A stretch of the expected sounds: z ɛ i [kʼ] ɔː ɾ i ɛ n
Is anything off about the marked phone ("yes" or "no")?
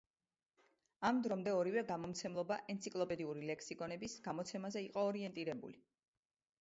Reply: yes